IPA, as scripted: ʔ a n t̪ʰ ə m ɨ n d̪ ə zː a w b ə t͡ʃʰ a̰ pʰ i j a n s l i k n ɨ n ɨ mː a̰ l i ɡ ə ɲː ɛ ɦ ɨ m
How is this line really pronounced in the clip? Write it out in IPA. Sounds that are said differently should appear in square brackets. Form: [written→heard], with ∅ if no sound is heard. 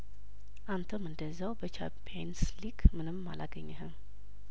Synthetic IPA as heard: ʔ a n t̪ʰ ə m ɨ n d̪ ə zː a w b ə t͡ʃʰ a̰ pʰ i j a n s l i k [n→m] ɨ n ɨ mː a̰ l [i→a] ɡ ə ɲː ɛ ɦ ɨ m